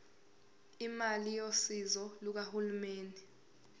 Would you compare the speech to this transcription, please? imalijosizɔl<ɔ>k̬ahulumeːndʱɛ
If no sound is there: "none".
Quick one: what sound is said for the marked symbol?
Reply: u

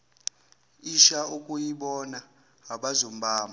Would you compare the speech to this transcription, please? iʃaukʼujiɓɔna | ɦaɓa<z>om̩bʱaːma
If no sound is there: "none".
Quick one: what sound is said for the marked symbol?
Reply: z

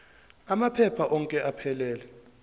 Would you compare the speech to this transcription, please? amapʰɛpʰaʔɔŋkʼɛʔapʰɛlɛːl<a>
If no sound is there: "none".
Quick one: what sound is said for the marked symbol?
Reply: ɛ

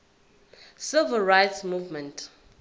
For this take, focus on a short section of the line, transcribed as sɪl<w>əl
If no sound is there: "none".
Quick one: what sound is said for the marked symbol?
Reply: v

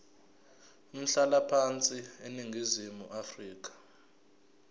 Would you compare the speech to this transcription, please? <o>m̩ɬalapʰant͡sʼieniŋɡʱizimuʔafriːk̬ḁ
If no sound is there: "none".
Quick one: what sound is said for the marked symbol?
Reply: u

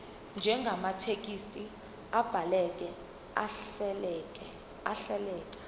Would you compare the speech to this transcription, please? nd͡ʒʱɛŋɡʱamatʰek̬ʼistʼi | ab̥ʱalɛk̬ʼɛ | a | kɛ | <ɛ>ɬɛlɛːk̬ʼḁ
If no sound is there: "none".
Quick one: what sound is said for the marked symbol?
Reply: a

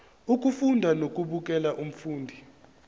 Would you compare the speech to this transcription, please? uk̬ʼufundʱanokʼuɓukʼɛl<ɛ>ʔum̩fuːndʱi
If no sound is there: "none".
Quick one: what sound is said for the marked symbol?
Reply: a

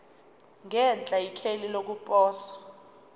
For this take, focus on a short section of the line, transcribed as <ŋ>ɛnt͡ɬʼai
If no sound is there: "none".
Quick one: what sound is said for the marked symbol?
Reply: ŋ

